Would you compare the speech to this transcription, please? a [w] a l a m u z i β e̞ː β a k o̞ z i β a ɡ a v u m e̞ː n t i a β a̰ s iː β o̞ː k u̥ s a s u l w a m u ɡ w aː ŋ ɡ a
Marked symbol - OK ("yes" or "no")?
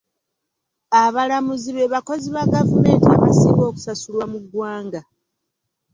no